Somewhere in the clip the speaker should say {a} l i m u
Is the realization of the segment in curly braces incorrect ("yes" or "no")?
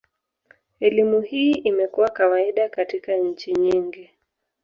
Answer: yes